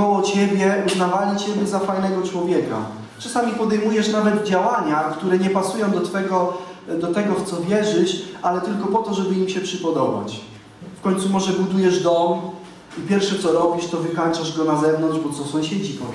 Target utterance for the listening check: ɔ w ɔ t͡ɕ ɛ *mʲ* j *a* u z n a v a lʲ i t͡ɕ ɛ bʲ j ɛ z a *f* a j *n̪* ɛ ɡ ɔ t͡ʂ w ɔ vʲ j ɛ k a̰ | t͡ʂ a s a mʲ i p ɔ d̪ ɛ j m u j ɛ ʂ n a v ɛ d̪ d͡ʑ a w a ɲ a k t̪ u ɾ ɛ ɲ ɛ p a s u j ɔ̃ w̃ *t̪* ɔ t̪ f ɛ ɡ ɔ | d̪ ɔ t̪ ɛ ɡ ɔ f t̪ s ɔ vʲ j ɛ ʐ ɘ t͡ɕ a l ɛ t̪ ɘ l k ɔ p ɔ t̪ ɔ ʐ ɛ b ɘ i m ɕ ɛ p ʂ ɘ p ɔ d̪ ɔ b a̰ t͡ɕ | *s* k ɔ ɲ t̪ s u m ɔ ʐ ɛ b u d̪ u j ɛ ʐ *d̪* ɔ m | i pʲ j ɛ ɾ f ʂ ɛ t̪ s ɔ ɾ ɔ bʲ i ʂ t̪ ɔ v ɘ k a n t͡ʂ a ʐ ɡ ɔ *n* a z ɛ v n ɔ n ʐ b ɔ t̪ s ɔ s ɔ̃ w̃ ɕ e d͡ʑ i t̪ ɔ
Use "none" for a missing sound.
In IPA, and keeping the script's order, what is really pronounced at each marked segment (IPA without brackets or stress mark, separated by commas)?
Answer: bʲ, ɛ, f, n̪, d̪, f, d̪, n